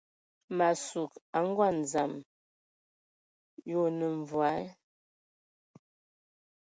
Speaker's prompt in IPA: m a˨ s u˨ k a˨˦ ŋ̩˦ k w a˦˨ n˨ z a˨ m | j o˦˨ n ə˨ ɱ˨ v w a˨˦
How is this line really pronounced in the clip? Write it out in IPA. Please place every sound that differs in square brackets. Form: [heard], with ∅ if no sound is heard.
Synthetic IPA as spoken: m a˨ s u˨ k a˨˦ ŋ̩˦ [ɡ] w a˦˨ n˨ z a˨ m | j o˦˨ n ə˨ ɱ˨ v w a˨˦